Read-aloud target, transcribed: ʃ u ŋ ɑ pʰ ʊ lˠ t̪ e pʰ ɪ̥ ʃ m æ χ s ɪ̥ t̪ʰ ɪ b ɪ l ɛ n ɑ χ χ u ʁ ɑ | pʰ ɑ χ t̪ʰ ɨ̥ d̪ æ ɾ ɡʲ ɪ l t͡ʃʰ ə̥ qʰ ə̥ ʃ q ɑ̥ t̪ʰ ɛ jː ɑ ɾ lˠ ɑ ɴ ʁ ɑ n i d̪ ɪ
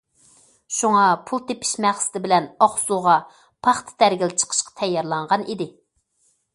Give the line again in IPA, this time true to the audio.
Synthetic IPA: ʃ u ŋ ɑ pʰ u lˠ t̪ e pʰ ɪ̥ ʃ m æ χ s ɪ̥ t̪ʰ ɪ b ɪ l ɛ n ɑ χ s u ʁ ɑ | pʰ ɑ χ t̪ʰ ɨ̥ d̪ æ ɾ ɡʲ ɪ l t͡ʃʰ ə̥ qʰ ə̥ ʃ q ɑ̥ t̪ʰ ɛ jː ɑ ɾ lˠ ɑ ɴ ʁ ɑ n i d̪ ɪ